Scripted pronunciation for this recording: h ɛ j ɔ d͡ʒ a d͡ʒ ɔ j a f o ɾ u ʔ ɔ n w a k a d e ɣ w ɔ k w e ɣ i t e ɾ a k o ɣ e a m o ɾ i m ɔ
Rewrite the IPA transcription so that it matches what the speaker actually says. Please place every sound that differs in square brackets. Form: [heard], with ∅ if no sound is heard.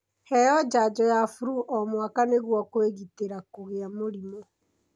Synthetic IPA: h ɛ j ɔ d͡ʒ a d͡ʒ ɔ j a f [u] ɾ u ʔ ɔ [m] w a k a [n] e ɣ w ɔ k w e ɣ i t e ɾ a k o ɣ e a m o ɾ i m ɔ